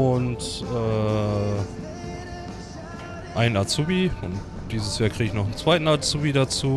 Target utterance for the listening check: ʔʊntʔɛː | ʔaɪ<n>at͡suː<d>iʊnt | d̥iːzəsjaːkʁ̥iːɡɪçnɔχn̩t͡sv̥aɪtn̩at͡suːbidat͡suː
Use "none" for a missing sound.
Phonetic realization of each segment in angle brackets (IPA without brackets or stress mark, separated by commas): n, b